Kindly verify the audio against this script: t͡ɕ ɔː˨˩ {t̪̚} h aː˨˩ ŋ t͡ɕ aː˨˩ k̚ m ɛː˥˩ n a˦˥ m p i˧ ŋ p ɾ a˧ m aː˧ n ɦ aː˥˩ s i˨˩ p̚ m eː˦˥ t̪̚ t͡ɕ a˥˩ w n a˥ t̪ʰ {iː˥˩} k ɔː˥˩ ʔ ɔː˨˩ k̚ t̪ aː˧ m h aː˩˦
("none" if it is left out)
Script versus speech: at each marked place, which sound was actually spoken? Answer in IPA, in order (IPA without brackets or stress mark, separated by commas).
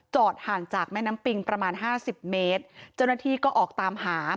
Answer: t̪̚, iː˥˩